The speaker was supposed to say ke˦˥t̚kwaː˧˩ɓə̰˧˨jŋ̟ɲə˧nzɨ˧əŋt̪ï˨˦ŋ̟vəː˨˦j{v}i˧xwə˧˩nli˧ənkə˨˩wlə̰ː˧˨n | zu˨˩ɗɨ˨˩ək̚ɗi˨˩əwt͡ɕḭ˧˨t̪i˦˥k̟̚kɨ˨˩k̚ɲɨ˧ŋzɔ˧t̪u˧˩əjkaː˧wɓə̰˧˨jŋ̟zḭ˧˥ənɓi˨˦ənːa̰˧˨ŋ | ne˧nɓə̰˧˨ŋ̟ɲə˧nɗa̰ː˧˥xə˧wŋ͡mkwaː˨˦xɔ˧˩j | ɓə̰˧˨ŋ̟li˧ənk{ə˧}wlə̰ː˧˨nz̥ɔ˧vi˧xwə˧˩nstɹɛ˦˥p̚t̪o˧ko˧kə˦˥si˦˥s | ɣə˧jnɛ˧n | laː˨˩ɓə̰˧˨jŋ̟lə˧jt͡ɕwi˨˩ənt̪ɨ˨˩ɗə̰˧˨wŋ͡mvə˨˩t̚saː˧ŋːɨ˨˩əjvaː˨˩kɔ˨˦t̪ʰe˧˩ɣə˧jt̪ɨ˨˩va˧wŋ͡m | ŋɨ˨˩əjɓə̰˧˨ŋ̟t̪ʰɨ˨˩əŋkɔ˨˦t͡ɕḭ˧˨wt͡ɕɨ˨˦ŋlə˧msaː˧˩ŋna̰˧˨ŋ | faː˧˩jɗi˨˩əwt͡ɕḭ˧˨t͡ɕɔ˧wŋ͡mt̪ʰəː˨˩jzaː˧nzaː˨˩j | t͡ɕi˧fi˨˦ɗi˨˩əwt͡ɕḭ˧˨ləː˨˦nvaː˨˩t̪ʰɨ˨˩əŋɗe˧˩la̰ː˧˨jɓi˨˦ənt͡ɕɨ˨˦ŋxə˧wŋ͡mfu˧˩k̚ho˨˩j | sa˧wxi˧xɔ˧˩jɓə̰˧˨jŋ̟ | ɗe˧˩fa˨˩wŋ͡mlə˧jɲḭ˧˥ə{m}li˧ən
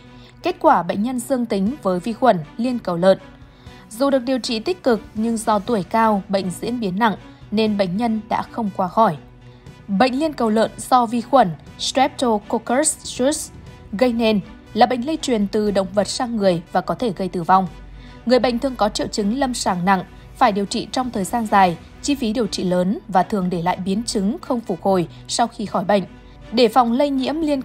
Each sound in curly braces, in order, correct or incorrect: correct, incorrect: ə˨˩, correct

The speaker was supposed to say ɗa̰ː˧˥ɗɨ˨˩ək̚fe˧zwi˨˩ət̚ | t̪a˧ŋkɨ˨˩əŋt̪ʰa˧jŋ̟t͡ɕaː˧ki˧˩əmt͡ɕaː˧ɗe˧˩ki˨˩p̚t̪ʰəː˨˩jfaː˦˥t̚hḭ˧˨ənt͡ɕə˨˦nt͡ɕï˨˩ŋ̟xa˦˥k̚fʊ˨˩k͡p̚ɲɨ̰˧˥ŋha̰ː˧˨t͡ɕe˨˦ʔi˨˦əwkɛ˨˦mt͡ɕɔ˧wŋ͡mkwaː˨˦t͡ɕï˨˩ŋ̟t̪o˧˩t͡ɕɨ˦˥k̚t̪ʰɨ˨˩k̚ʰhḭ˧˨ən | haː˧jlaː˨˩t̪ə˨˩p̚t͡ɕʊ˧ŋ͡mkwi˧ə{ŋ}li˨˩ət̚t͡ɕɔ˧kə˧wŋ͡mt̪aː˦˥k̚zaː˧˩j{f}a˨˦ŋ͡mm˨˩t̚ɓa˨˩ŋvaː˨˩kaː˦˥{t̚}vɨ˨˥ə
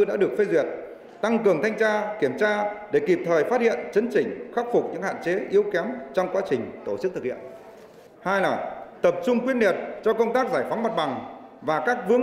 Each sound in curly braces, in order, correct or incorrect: incorrect: n, correct, incorrect: k̚

